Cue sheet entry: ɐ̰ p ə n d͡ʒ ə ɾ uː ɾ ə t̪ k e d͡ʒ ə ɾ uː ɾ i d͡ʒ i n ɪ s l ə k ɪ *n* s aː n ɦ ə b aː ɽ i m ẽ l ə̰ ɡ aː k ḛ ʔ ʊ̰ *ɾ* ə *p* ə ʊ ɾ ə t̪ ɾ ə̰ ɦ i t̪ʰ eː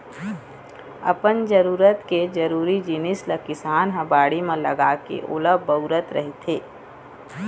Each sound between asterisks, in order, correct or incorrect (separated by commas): incorrect, incorrect, incorrect